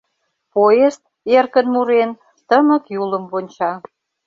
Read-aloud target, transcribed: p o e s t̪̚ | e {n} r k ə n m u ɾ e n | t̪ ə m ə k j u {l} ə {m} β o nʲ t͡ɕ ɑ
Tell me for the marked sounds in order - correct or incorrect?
incorrect: none, correct, correct

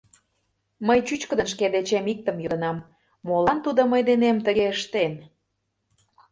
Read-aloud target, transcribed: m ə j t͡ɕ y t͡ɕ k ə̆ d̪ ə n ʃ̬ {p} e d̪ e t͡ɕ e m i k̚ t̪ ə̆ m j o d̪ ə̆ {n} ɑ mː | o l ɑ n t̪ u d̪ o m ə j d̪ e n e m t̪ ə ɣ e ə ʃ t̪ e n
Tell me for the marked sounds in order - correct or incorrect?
incorrect: k, correct

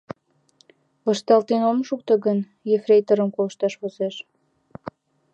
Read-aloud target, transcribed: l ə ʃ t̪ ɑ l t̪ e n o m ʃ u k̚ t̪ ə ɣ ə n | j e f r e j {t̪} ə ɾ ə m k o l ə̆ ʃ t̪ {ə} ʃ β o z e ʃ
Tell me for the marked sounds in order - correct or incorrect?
correct, incorrect: ɑ

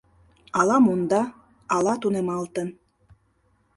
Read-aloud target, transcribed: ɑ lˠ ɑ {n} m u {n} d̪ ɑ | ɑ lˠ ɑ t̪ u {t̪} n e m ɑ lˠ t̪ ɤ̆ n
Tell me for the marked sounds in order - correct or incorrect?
incorrect: none, correct, incorrect: none

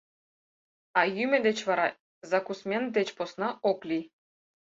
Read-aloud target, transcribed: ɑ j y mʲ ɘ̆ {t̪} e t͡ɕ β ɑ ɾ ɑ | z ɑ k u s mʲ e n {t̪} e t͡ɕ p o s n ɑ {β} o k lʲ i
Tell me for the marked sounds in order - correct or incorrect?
incorrect: d̪, incorrect: d̪, incorrect: none

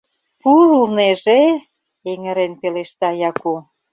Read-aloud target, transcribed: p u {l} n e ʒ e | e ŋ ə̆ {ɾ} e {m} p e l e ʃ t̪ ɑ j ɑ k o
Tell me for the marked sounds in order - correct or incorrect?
correct, correct, incorrect: n

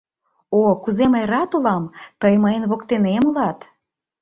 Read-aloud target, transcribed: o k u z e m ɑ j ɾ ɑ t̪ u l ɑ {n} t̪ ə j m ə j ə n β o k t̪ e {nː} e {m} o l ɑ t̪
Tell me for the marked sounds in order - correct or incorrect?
incorrect: m, incorrect: n, correct

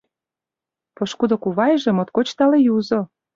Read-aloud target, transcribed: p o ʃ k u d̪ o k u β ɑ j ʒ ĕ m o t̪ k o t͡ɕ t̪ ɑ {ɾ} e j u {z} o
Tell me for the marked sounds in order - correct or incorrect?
incorrect: l, correct

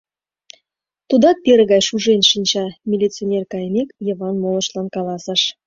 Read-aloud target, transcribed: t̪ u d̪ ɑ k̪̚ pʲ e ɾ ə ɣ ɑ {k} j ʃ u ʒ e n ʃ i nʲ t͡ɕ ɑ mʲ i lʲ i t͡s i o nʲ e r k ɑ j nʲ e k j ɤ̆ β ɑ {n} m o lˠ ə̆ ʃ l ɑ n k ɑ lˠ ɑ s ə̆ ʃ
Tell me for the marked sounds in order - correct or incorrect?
incorrect: none, correct

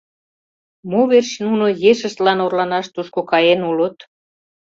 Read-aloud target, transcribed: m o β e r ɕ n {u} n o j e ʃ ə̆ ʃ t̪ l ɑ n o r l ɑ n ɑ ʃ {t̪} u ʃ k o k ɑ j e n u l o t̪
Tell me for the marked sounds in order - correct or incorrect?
correct, correct

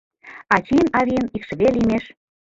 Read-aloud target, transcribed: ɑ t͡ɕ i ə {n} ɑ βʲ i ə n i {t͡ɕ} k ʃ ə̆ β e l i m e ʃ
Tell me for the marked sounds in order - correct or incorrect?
correct, incorrect: none

